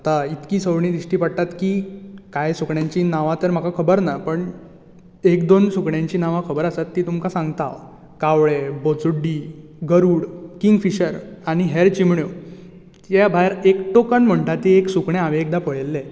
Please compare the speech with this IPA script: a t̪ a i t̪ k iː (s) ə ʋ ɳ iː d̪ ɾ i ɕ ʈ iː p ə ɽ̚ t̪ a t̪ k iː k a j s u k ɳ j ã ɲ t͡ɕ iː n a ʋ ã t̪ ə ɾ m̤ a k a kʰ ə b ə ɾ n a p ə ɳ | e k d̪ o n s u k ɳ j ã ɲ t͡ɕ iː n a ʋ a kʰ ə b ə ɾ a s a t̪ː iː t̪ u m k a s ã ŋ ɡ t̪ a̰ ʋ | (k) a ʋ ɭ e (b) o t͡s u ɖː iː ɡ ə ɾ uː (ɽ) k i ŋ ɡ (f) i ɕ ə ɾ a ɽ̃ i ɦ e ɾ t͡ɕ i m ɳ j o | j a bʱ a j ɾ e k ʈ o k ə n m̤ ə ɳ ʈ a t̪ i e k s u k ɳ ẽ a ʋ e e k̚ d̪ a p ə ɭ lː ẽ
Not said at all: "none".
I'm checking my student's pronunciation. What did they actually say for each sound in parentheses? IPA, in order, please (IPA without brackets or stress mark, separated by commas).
s, k, b, ɽ, f